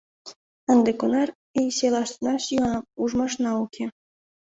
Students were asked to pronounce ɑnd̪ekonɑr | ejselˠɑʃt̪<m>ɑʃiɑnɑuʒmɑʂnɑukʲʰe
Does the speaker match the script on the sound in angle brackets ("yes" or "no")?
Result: no